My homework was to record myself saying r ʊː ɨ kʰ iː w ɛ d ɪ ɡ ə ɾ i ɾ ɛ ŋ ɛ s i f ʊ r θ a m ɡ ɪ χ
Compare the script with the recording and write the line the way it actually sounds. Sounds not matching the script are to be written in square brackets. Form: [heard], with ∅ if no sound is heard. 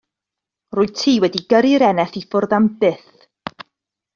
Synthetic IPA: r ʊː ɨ [tʰ] iː w ɛ d [i] ɡ ə ɾ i ɾ ɛ [n] ɛ [θ] i f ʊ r [ð] a m [b] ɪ [θ]